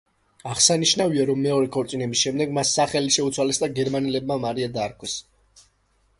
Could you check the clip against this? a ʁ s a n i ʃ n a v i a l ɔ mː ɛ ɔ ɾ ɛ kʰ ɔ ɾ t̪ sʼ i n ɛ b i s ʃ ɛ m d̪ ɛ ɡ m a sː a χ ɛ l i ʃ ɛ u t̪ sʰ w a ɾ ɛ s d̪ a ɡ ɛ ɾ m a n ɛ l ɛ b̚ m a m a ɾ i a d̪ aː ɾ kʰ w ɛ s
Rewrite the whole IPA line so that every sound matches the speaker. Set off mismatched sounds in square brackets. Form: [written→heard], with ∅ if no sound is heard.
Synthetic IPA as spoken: a ʁ s a n i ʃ n a v i a [l→ɾ] ɔ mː ɛ ɔ ɾ ɛ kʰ ɔ ɾ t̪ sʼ i n ɛ b i s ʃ ɛ m d̪ ɛ ɡ m a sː a χ ɛ l i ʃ ɛ u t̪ sʰ w a [ɾ→l] ɛ s d̪ a ɡ ɛ ɾ m a n ɛ l ɛ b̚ m a m a ɾ i a d̪ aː ɾ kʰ w ɛ s